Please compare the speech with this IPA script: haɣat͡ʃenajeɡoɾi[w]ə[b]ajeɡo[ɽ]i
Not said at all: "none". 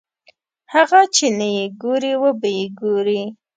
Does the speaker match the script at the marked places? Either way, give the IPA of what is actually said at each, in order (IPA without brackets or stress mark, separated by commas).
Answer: w, b, ɾ